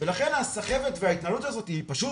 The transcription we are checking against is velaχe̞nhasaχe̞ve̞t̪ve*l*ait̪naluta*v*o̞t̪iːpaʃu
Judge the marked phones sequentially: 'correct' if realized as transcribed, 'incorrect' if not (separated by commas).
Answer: incorrect, incorrect